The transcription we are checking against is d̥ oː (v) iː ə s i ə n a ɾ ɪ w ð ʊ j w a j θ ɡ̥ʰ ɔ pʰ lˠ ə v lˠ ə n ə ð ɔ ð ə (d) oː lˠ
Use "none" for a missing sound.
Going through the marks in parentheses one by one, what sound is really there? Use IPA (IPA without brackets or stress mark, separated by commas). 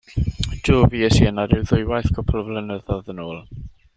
v, n